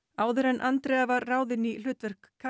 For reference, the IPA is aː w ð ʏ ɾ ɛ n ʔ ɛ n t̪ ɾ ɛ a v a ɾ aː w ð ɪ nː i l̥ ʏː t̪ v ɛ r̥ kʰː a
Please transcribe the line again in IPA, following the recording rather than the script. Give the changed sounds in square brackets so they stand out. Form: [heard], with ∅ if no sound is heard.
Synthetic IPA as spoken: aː w ð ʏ ɾ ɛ n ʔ [a] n t̪ ɾ ɛ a v a ɾ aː w ð ɪ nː i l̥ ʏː t̪ v ɛ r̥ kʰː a